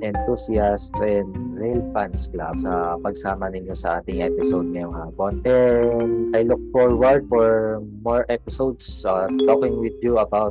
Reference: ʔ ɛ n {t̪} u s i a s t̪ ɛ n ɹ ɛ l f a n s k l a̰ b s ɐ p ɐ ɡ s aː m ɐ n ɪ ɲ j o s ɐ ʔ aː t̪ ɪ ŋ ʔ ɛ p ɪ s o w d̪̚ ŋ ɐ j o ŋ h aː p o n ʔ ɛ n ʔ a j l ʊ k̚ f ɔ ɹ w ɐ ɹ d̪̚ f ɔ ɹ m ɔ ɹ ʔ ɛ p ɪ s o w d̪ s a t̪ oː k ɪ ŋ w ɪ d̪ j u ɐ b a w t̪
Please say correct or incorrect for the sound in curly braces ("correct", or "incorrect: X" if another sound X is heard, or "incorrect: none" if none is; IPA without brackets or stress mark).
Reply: correct